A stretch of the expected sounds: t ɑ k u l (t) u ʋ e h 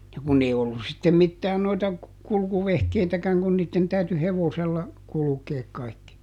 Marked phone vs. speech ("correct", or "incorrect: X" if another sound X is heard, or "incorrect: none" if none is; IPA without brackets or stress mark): incorrect: k